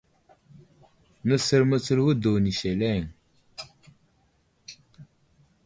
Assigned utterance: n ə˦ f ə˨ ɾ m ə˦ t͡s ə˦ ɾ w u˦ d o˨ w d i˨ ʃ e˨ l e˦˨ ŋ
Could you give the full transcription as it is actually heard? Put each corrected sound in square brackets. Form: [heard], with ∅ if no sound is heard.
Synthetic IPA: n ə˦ [s] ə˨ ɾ m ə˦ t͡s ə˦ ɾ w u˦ d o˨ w [n] i˨ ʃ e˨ l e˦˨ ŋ